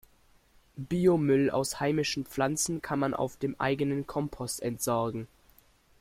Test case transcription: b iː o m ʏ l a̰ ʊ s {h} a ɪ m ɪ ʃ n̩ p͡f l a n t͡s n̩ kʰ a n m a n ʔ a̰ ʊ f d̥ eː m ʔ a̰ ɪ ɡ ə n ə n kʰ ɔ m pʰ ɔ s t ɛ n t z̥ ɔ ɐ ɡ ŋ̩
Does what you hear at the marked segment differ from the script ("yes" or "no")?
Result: no